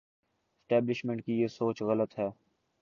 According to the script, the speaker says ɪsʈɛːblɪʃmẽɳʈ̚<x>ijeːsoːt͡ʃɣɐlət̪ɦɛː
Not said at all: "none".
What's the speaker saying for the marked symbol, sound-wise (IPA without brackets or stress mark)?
k